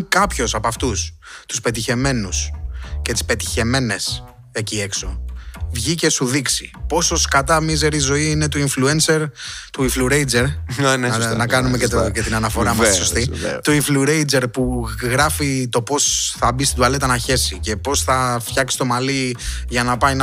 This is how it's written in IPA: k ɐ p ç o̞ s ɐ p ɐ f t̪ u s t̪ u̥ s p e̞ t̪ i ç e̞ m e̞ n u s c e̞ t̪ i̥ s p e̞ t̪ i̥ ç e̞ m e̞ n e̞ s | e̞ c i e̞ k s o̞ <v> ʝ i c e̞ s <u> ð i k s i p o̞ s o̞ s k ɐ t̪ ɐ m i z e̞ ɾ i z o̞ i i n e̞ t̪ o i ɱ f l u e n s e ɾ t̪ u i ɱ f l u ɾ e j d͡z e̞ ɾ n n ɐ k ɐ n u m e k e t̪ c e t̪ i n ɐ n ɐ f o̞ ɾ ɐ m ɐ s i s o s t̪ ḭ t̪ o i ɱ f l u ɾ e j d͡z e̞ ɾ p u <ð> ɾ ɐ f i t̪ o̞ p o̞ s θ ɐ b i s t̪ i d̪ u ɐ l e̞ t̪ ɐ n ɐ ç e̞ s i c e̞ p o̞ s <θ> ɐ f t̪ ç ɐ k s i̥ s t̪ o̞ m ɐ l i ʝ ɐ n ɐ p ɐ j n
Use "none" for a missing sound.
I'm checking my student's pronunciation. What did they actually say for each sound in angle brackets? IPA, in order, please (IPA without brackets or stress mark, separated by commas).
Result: v, u, ɣ, θ